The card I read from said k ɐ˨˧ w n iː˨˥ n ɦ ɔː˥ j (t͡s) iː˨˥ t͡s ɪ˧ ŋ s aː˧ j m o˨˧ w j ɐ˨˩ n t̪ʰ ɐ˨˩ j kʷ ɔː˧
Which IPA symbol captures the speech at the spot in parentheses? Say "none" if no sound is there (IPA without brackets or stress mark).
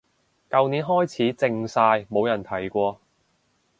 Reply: t͡sʰ